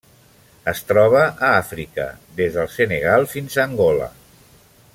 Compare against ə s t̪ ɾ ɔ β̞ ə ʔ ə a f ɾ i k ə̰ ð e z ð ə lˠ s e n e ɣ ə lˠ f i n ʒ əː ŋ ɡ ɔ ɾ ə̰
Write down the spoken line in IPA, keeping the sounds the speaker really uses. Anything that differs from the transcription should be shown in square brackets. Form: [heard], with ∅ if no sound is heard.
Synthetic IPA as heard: ə s t̪ ɾ ɔ β̞ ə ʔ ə a f ɾ i k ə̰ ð e z ð ə lˠ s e n e ɣ [a] lˠ f i n [z] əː ŋ ɡ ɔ [l] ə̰